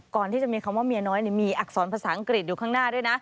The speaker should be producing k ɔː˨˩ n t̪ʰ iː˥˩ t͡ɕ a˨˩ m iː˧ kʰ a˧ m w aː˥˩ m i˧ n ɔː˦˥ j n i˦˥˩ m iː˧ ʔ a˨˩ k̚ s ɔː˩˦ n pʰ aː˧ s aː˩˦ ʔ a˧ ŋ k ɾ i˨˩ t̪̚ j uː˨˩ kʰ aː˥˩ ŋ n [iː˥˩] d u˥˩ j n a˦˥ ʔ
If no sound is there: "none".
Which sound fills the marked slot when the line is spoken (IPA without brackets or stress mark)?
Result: aː˥˩